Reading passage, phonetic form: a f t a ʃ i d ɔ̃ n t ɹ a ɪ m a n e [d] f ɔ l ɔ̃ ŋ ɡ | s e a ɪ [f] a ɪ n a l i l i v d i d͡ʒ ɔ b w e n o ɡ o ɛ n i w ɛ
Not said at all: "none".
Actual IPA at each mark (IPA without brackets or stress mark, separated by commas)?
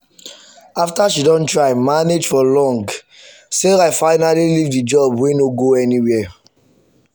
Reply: d͡ʒ, f